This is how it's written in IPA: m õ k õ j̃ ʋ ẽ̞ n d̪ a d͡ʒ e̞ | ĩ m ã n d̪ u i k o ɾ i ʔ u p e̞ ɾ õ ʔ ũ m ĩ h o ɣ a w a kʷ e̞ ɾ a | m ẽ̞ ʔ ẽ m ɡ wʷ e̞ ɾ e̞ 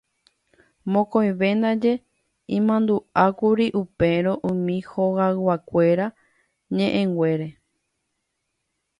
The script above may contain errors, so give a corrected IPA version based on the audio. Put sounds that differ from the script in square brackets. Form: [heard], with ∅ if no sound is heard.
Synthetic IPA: m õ k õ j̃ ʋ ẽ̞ n d̪ a d͡ʒ e̞ | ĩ m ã n d̪ u [a] k [u] ɾ i ʔ u p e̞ ɾ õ ʔ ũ m ĩ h o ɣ a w a kʷ e̞ ɾ a | [ɲ] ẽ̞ ʔ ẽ [ŋ] ɡ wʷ e̞ ɾ e̞